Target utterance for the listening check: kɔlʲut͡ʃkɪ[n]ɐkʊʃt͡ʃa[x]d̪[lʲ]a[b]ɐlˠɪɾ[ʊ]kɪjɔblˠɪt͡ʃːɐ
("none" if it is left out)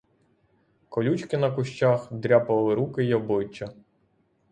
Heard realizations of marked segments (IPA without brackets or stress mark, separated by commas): n, x, ɾʲ, p, u